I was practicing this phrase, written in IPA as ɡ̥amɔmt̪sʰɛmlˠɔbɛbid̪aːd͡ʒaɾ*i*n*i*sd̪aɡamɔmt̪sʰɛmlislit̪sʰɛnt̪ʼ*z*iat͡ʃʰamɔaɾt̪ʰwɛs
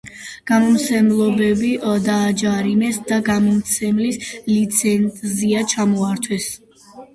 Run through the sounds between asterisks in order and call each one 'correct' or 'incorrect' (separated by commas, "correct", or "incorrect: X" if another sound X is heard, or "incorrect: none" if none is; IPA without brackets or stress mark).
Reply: correct, incorrect: ɛ, correct